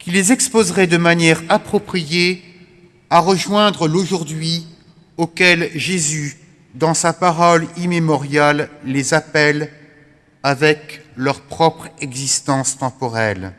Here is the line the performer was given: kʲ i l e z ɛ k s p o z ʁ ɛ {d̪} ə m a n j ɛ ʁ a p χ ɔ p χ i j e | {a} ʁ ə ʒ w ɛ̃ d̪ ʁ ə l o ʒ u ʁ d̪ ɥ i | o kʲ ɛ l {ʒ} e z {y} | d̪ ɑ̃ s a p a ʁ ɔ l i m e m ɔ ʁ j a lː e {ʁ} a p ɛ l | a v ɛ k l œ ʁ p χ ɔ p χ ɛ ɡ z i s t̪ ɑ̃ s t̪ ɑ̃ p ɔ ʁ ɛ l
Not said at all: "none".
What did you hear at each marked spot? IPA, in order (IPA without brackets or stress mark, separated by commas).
d̪, a, ʒ, y, z